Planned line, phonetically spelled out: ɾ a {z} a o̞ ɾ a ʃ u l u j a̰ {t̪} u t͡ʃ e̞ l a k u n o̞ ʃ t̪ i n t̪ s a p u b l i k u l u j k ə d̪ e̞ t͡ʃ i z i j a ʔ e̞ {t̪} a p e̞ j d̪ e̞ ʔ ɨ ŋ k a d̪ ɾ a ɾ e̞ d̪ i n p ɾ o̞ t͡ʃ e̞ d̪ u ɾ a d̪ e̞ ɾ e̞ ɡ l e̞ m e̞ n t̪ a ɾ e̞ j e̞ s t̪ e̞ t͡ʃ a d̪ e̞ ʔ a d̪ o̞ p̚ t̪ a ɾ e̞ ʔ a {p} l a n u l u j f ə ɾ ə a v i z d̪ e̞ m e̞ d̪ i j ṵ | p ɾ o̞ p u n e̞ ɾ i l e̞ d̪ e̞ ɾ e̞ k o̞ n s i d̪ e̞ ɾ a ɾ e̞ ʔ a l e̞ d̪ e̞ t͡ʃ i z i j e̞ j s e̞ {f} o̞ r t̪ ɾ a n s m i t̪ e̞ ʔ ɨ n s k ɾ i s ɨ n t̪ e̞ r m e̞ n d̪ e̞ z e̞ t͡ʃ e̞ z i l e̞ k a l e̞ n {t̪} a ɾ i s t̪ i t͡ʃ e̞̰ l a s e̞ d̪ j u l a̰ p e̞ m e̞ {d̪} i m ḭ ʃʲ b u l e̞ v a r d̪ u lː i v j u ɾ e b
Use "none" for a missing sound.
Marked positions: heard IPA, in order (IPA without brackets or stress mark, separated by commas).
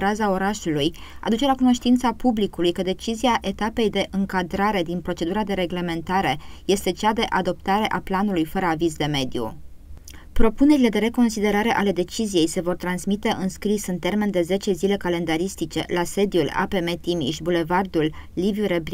z, d̪, t̪, p, v, d̪, t̪